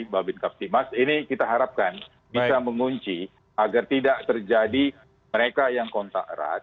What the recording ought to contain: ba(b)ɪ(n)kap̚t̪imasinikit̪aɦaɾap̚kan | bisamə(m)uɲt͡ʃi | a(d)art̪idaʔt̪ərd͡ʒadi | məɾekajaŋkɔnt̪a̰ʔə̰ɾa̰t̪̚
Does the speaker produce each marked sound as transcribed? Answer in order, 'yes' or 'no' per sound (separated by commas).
yes, yes, no, no